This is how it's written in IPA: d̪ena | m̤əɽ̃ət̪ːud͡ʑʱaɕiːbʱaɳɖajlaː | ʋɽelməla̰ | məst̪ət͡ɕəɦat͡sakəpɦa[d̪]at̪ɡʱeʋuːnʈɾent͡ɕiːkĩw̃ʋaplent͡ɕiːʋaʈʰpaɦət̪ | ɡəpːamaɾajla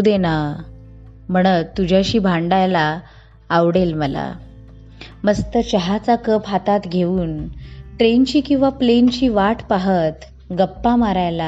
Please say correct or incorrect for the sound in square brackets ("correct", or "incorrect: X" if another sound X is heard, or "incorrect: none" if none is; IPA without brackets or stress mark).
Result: incorrect: t̪